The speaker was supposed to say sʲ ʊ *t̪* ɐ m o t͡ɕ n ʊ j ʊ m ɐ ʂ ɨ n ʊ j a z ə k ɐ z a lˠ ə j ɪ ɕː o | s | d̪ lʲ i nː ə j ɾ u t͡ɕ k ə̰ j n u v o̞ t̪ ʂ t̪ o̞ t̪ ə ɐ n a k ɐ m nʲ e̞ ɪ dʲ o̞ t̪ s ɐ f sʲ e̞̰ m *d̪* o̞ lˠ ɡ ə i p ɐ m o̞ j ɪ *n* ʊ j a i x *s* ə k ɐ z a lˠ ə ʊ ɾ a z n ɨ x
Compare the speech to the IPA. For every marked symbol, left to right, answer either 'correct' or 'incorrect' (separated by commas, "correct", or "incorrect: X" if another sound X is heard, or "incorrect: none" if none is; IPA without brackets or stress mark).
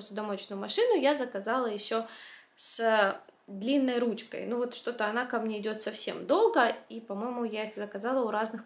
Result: incorrect: d̪, correct, incorrect: m, incorrect: z